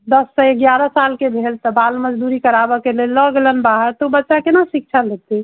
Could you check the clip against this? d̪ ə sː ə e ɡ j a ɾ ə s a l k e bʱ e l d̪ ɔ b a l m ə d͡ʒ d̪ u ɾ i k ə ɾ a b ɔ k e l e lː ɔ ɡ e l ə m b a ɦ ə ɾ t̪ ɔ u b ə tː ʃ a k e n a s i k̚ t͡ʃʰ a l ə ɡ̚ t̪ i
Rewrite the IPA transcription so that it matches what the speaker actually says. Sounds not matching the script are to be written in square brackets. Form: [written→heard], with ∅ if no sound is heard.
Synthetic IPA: d̪ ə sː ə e ɡ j a ɾ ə s a l k e bʱ e l [d̪→t̪] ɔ b a l m ə d͡ʒ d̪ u ɾ i k ə ɾ a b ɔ k e l e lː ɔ ɡ e l ə [m→n] b a ɦ ə ɾ t̪ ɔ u b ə tː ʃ a k e n a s i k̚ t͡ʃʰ a l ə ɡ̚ t̪ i